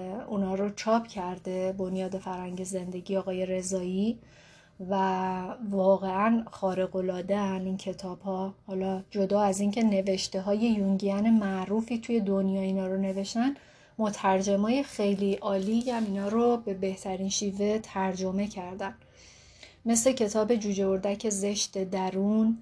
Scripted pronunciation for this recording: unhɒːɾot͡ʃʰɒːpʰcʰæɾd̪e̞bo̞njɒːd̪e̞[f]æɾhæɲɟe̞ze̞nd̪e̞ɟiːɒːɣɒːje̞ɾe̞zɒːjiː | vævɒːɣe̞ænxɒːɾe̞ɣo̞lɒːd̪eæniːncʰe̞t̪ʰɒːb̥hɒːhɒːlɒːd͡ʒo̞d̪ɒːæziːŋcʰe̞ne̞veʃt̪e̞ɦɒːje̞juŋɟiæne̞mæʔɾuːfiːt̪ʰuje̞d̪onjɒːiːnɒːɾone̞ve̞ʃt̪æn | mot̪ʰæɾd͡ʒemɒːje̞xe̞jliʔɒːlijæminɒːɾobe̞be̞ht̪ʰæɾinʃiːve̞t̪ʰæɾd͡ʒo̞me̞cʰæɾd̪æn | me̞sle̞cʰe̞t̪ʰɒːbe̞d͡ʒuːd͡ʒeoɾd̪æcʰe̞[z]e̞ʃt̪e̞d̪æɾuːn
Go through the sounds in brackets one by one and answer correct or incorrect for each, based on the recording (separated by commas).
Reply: correct, correct